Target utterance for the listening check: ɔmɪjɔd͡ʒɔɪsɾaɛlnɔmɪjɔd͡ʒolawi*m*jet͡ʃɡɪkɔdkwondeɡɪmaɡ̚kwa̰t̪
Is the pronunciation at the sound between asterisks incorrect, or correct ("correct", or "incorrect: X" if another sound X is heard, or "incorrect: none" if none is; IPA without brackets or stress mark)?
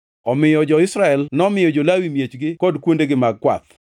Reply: correct